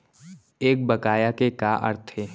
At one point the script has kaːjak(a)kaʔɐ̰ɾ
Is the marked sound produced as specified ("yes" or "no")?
no